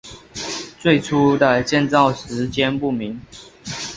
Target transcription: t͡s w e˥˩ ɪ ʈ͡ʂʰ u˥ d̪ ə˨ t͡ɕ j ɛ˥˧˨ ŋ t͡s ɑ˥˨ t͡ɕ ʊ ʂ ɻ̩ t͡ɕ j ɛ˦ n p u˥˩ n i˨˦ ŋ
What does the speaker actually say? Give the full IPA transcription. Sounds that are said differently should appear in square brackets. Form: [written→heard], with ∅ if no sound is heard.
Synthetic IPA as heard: t͡s w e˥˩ ɪ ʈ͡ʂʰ u˥ d̪ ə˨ t͡ɕ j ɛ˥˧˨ [ŋ→n] t͡s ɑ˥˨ [t͡ɕ→∅] ʊ ʂ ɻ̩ t͡ɕ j ɛ˦ n p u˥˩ [n→m] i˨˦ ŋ